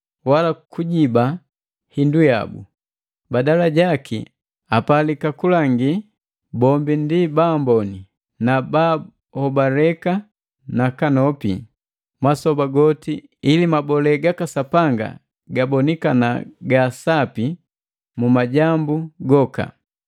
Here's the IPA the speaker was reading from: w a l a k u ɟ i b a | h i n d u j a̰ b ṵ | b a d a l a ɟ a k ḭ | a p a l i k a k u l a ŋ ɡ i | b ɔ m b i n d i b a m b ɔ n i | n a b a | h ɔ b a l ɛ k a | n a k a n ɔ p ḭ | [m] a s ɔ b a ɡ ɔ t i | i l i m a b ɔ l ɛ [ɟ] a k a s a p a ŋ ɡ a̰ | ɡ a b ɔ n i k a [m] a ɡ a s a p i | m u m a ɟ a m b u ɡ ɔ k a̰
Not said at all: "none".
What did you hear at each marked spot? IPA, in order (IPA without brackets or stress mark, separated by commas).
m, ɡ, n